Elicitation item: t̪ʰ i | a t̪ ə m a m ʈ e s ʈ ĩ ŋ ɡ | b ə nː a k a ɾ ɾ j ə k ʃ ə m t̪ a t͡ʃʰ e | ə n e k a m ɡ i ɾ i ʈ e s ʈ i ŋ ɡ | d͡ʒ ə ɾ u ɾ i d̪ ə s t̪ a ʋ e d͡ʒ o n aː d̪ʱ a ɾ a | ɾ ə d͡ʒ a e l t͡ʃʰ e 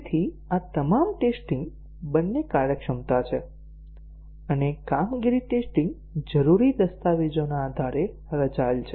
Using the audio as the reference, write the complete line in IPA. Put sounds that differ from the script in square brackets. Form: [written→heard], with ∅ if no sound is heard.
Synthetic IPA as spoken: t̪ʰ i | a t̪ ə m a m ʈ e s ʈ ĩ ŋ ɡ | b ə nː [a→e] k a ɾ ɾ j ə k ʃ ə m t̪ a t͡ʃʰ e | ə n e k a m ɡ i ɾ i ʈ e s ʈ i ŋ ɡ | d͡ʒ ə ɾ u ɾ i d̪ ə s t̪ a ʋ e d͡ʒ o n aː d̪ʱ a ɾ [a→e] | ɾ ə d͡ʒ a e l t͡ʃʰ e